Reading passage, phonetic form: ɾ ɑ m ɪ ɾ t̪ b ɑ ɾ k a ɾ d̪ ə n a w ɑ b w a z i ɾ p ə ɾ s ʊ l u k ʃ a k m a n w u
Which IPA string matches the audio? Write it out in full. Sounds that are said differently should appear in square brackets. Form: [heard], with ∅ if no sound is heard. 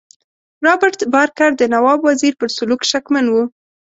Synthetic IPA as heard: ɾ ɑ [b] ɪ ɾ t̪ b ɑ ɾ k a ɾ d̪ ə n a w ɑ b w a z i ɾ p ə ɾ s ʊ l u k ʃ a k m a n w u